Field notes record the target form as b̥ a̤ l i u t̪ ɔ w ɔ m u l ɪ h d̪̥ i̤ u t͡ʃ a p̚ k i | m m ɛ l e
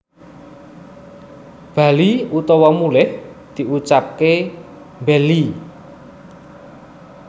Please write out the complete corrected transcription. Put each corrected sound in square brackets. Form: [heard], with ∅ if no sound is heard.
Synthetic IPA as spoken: b̥ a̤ l i u t̪ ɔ w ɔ m u l ɪ h d̪̥ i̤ u t͡ʃ a p̚ k [e] | m [b] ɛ l [i]